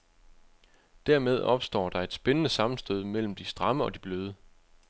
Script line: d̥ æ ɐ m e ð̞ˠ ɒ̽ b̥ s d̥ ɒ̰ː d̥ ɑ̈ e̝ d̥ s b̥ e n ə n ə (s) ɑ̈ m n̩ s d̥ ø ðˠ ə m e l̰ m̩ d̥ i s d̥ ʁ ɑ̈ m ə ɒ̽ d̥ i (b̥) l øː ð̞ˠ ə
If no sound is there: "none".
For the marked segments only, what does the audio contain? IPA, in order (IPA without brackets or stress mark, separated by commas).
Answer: s, b̥